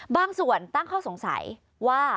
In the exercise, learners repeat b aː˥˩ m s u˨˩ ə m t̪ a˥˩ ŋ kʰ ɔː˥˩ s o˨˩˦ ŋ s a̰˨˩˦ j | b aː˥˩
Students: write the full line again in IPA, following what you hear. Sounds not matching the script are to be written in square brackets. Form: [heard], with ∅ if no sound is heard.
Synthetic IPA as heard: b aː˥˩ [ŋ] s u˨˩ ə [n] t̪ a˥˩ ŋ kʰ ɔː˥˩ s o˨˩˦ ŋ s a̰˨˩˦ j | [w] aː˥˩